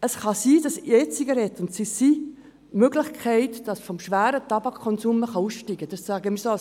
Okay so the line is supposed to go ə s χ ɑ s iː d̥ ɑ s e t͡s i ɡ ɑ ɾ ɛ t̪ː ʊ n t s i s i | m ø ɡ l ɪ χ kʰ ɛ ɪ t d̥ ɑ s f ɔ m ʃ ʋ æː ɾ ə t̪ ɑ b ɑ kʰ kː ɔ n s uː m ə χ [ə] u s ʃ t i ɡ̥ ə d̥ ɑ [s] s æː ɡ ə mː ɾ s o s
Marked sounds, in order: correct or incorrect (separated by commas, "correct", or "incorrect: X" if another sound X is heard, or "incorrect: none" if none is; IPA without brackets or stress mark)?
incorrect: ɑ, correct